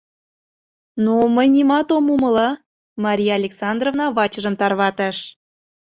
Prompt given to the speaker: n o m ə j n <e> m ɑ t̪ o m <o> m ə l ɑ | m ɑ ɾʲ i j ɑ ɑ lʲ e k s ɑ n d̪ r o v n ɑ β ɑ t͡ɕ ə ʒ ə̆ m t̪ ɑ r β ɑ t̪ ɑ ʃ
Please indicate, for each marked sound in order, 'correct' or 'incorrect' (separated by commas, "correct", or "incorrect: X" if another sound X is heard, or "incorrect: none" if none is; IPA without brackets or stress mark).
incorrect: i, incorrect: u